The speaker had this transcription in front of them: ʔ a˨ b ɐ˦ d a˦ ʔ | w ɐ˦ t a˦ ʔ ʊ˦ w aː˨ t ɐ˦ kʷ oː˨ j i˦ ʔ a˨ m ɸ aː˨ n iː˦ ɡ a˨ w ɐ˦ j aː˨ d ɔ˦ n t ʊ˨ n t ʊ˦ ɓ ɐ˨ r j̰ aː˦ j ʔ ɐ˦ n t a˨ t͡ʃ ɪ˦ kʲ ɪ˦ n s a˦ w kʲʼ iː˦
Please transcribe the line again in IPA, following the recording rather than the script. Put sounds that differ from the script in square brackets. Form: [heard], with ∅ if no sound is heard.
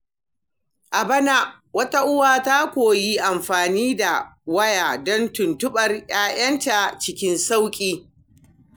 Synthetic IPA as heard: ʔ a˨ b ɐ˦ [n] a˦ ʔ | w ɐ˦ t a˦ ʔ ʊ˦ w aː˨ t [a˦] kʷ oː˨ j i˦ ʔ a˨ m ɸ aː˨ n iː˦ [d] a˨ w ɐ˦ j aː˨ d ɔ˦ n t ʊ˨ n t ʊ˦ ɓ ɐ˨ r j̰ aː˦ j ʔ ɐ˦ n t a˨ t͡ʃ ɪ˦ kʲ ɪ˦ n s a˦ w kʲʼ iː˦

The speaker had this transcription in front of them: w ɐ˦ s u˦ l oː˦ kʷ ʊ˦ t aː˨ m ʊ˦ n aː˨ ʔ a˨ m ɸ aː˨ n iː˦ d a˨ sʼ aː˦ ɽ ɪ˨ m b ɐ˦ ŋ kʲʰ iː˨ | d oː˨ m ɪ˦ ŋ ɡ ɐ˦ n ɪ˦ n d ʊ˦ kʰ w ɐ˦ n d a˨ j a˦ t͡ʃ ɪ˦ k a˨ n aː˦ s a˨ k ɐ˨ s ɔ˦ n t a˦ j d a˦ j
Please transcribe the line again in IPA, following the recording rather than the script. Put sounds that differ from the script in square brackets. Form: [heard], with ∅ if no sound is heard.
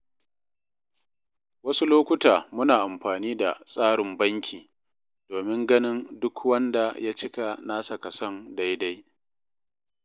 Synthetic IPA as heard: w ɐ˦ s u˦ l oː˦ kʷ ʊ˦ t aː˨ m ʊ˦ n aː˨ ʔ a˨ m ɸ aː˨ n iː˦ d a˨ sʼ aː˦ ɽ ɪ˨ m b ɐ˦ ŋ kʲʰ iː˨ | d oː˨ m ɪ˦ ŋ ɡ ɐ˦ n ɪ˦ n d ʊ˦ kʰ w ɐ˦ n d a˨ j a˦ t͡ʃ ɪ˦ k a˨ n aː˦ s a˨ k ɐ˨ s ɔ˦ n [d] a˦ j d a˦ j

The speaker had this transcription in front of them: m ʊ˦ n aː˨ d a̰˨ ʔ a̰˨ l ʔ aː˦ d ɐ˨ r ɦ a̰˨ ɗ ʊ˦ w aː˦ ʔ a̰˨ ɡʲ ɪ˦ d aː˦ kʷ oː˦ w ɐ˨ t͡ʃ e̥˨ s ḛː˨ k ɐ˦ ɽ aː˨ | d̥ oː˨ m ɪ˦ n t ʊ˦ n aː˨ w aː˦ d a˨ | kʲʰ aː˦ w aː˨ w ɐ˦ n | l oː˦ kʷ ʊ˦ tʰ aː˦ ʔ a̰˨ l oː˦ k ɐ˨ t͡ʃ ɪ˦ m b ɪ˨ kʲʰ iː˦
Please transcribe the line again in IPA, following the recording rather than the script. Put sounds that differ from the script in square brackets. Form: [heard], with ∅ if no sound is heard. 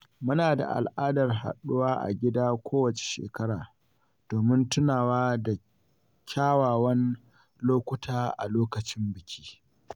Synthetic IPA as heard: m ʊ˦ n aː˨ d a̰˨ ʔ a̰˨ l ʔ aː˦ d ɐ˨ r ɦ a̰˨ ɗ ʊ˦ w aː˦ ʔ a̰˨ ɡʲ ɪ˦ d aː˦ kʷ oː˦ w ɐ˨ t͡ʃ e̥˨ [ʃ] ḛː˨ k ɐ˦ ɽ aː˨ | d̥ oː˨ m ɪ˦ n t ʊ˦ n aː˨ w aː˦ d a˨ | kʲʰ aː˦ w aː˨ w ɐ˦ n | l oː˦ kʷ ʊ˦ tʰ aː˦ ʔ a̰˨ l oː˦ k ɐ˨ t͡ʃ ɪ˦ m b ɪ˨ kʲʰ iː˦

